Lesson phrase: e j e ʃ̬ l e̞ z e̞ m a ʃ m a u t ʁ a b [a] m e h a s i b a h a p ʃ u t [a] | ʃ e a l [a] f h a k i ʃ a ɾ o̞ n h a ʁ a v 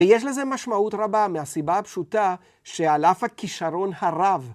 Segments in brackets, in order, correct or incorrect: correct, correct, correct

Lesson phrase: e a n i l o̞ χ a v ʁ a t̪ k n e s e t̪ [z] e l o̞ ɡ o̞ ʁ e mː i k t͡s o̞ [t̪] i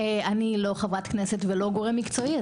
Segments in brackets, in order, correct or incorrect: incorrect: v, incorrect: none

